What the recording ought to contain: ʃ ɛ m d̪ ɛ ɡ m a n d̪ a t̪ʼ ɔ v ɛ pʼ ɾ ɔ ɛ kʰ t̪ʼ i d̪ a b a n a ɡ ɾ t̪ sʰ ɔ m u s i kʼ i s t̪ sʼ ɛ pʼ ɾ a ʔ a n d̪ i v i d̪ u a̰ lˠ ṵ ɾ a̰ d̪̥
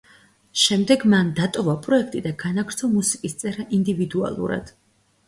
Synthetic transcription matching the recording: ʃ ɛ m d̪ ɛ ɡ m a n d̪ a t̪ʼ ɔ v a pʼ ɾ ɔ ɛ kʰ t̪ʼ i d̪ a ɡ a n a ɡ ɾ t̪ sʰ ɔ m u s i kʼ i s t̪ sʼ ɛ ɾ a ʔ i n d̪ i v i d̪ u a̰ lˠ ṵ ɾ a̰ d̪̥